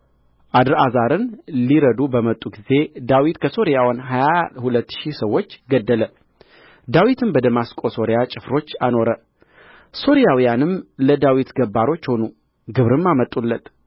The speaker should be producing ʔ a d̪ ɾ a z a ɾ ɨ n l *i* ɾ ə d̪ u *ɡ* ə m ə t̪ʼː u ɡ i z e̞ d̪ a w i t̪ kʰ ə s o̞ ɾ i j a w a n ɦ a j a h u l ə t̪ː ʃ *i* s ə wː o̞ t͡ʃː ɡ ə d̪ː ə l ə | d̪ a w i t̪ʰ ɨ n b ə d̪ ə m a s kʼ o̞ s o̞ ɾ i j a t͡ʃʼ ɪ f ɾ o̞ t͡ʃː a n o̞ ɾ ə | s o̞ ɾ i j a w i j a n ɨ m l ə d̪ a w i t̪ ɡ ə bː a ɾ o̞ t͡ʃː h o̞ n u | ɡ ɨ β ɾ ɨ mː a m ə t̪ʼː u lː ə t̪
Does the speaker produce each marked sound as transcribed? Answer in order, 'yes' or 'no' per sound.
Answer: yes, no, yes

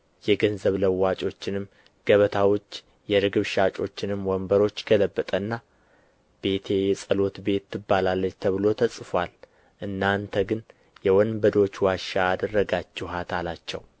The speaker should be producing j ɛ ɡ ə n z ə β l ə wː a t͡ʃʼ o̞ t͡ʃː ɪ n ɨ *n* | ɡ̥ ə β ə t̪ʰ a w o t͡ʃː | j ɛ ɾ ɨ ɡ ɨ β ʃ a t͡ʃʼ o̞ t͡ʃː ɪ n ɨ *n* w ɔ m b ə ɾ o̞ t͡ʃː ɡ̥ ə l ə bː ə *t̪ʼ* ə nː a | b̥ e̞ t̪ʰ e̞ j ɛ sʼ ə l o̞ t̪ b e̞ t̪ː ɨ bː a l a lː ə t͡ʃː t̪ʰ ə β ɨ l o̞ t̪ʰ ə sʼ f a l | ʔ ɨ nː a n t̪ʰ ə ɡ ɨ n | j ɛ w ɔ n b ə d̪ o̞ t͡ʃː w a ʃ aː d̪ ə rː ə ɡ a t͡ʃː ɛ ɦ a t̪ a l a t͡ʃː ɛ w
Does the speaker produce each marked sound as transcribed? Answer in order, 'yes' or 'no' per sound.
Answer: no, no, yes

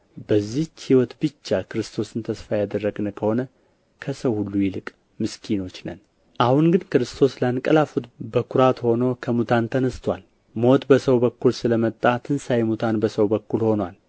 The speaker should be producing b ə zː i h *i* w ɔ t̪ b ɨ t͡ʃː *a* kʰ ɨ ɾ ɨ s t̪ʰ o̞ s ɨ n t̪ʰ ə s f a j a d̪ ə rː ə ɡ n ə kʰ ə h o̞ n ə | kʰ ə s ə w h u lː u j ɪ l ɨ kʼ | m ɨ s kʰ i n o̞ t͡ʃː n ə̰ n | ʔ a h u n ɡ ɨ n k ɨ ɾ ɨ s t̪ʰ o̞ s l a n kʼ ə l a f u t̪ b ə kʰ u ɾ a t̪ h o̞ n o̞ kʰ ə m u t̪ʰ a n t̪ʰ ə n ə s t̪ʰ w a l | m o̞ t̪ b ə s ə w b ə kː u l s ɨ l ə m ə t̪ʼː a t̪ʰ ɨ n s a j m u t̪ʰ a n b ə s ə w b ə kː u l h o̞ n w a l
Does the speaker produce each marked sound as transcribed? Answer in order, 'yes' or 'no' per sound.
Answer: yes, yes

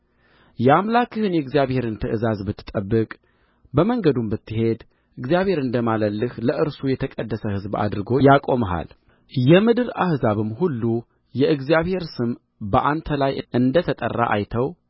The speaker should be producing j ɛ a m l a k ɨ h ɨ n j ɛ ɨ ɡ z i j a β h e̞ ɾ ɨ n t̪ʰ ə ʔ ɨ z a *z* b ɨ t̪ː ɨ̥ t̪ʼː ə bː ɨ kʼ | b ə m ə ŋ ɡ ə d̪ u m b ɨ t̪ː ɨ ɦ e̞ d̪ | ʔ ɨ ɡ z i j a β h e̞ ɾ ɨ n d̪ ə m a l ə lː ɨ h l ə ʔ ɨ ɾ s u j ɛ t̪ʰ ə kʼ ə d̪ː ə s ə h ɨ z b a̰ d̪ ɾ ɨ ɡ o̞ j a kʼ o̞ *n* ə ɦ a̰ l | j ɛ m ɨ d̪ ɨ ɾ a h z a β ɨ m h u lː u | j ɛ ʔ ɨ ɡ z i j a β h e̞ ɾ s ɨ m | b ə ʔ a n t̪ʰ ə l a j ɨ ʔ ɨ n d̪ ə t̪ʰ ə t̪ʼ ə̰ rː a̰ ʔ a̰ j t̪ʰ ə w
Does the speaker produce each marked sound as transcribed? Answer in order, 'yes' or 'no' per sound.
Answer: yes, no

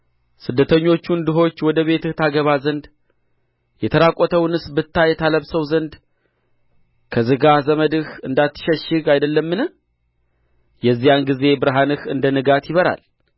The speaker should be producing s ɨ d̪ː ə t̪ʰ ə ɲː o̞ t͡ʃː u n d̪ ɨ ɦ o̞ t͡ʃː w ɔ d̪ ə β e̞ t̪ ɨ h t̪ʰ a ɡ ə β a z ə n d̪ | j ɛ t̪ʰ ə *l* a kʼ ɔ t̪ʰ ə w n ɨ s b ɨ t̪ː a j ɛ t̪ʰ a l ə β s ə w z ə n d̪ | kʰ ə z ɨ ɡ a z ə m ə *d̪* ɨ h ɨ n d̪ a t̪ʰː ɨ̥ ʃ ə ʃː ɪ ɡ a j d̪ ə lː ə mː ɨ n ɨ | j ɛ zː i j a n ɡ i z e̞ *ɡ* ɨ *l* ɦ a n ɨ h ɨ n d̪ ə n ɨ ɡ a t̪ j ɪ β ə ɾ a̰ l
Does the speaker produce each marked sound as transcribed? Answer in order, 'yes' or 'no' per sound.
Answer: no, yes, no, no

